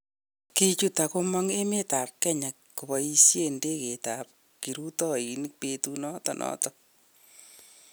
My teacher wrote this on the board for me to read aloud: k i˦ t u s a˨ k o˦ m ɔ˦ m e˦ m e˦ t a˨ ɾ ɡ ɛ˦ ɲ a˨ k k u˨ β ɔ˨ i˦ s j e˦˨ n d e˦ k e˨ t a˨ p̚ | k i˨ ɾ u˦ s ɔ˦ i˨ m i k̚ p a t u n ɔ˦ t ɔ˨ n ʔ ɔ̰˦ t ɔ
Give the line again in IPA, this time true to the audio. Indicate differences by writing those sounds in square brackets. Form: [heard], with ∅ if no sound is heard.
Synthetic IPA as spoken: k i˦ [t͡ʃ] u [t] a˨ k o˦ m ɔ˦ [ŋ] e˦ m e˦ t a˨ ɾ [k] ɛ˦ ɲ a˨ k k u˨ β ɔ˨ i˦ s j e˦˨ n d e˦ k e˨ t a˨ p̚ | k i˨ ɾ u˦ [t] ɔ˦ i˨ [n] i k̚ p [e] t u n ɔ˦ t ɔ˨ n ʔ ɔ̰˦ t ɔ